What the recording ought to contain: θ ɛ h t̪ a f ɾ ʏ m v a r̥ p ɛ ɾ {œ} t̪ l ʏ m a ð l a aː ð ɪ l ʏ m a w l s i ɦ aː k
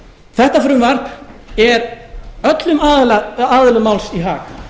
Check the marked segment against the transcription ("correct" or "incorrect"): correct